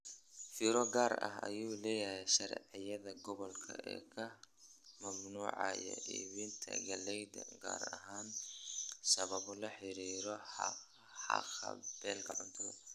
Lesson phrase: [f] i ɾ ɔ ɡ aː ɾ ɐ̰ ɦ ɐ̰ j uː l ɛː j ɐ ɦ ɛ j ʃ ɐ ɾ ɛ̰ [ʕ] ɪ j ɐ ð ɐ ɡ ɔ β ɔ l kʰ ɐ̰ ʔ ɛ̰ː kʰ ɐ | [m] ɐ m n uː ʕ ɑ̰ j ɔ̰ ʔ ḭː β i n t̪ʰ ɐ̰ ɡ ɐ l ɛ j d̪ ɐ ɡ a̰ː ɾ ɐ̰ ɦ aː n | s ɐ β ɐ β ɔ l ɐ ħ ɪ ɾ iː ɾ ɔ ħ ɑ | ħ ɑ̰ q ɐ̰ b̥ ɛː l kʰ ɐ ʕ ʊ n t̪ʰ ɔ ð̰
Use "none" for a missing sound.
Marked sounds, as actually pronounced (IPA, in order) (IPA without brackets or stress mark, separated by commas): f, ʕ, m